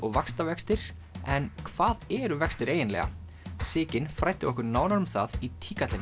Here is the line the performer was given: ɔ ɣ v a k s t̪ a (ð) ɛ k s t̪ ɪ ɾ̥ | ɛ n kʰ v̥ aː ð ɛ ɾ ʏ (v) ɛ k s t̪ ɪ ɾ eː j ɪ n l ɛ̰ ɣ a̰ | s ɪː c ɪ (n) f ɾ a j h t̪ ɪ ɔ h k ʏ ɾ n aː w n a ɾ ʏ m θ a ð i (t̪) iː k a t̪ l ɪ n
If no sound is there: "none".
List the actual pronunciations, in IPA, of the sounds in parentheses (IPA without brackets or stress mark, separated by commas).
v, v, n, t̪ʰ